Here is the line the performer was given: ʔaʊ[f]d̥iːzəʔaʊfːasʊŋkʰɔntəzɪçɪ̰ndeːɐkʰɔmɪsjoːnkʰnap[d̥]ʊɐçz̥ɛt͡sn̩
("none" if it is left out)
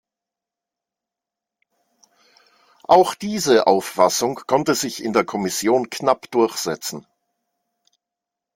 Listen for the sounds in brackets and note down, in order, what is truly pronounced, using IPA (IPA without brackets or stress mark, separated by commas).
x, d̥